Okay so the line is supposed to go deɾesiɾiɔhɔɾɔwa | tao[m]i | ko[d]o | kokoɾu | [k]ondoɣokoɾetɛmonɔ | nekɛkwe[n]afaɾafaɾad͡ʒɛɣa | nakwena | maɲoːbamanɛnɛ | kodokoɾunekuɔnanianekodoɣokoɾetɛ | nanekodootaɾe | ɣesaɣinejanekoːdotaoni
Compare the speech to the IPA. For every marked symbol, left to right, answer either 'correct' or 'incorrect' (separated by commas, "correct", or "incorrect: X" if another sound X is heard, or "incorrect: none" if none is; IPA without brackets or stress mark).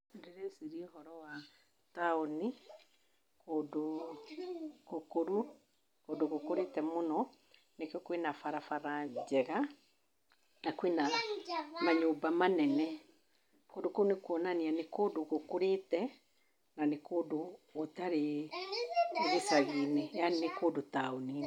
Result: incorrect: n, correct, correct, correct